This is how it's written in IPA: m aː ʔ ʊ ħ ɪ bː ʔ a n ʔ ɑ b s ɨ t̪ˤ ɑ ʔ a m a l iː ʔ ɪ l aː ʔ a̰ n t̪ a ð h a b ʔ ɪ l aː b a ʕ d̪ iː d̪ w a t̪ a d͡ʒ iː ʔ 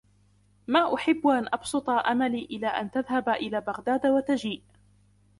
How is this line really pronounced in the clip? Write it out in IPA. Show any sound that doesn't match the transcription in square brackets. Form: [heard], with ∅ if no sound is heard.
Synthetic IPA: m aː ʔ ʊ ħ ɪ bː ʔ a n ʔ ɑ b s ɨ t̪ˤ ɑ ʔ a m a l iː ʔ ɪ l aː ʔ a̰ n t̪ a ð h a b ʔ ɪ l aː b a [ɣ] d̪ [aː] d̪ w a t̪ a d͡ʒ iː ʔ